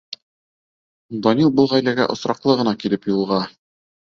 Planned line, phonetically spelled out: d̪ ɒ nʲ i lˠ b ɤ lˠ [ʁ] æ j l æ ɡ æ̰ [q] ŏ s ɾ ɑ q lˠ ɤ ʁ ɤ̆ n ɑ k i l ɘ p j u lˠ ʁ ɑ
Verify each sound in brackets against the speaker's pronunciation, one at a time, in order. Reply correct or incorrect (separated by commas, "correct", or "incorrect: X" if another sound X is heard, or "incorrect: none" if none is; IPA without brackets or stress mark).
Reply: correct, incorrect: ʔ